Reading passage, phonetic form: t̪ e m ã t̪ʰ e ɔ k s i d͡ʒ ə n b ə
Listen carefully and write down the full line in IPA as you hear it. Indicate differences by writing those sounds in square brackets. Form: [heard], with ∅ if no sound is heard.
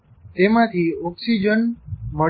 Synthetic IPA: t̪ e m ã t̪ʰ [i] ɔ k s i d͡ʒ ə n [m] ə